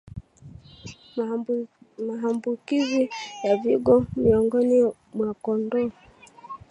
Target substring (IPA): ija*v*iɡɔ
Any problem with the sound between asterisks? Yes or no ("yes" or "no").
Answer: no